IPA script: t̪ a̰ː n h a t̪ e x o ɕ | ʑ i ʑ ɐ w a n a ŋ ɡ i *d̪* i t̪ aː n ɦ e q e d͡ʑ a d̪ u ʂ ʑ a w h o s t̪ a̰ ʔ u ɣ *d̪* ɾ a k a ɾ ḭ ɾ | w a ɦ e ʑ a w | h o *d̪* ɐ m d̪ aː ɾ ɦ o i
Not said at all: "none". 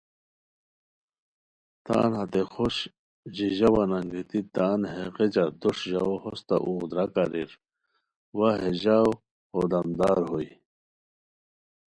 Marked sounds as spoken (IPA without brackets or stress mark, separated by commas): t̪, d̪, d̪